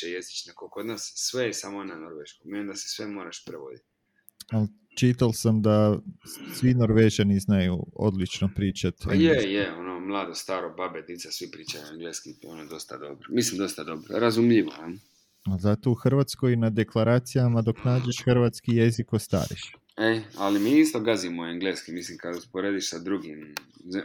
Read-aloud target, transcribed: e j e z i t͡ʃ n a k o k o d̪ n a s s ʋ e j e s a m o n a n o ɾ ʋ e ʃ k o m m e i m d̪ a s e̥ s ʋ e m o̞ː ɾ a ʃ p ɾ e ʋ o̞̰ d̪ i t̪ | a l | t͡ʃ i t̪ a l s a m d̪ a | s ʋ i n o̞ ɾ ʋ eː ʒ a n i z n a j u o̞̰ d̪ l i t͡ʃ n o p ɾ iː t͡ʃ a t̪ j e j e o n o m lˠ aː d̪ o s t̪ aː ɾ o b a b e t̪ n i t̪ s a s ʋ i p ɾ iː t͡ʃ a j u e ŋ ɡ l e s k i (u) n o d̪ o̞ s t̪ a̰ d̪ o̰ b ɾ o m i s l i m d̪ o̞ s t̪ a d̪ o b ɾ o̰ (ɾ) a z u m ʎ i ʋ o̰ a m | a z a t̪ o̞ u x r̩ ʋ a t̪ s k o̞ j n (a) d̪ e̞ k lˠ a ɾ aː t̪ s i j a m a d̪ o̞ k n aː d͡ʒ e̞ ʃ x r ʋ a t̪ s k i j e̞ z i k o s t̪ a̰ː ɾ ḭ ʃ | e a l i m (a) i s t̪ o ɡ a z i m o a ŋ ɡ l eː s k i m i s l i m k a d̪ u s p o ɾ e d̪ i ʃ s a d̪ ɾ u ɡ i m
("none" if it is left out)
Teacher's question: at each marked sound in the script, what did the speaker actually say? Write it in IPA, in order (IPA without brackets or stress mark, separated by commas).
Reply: o, ɾ, a, i